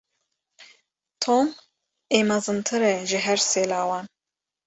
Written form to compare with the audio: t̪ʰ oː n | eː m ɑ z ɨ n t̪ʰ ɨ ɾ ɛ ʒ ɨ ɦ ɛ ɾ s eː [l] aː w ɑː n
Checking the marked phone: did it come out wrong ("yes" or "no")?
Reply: no